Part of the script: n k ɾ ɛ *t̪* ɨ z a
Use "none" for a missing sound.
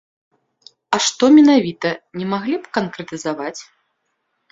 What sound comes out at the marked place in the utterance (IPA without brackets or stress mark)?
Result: t̪